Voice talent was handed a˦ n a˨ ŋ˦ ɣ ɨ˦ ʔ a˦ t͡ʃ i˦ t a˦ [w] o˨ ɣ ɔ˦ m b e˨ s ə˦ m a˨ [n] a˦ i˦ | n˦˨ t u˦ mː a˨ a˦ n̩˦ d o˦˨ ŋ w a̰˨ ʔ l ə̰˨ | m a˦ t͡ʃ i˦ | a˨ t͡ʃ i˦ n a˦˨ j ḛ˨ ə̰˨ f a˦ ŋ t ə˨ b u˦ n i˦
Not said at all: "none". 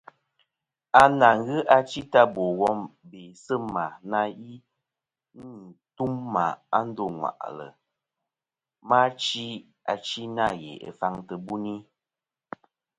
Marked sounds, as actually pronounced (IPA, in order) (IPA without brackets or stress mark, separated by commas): b, n